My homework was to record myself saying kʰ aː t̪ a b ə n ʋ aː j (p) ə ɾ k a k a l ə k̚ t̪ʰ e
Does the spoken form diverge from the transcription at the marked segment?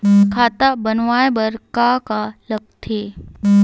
yes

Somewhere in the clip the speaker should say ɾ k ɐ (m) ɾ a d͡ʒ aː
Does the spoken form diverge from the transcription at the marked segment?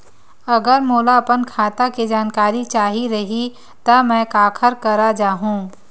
yes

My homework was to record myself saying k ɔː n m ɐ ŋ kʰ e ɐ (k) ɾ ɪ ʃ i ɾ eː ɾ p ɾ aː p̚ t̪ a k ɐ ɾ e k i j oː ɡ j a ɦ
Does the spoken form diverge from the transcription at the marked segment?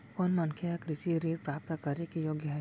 no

